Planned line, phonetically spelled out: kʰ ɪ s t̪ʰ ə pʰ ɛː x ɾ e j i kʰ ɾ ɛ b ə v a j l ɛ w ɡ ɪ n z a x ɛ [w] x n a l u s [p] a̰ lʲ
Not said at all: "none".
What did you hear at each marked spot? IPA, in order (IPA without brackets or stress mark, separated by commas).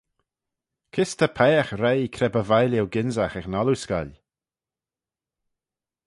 none, k